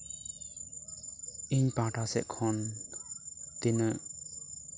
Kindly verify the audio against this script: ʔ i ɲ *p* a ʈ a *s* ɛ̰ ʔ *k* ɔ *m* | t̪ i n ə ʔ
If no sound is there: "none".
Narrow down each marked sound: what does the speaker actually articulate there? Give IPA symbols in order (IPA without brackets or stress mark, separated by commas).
p, s, kʰ, n